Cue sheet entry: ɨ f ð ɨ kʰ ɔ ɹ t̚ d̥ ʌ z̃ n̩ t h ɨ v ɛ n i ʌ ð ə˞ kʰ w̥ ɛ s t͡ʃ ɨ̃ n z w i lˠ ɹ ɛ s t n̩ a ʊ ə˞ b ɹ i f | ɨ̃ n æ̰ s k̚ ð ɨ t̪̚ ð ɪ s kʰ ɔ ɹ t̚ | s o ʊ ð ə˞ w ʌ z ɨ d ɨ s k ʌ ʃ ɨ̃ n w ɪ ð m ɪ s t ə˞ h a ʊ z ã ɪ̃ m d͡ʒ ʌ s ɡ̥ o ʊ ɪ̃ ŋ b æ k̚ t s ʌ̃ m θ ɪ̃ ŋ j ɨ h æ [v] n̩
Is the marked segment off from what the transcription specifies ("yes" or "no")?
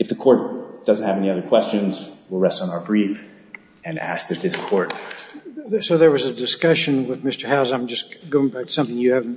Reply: no